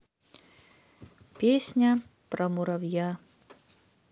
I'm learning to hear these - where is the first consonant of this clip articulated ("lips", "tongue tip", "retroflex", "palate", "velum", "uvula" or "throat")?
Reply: lips